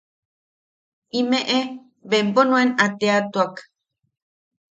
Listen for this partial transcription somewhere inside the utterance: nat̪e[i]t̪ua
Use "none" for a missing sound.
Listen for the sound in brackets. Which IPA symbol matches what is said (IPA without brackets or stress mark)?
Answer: a